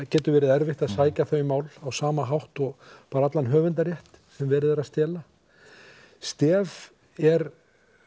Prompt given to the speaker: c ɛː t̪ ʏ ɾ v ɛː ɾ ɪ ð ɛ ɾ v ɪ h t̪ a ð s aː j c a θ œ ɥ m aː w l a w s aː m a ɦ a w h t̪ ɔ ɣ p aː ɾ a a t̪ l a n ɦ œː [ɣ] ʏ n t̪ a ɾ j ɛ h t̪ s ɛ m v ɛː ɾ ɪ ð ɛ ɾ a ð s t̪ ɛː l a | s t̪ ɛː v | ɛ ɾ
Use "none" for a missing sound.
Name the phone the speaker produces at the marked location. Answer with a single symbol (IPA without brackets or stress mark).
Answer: v